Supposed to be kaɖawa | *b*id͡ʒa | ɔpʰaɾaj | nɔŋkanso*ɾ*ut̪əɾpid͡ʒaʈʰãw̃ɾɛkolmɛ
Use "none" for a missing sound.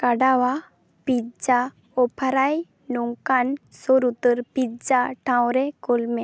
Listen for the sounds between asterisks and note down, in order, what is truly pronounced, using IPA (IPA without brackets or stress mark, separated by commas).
p, ɾ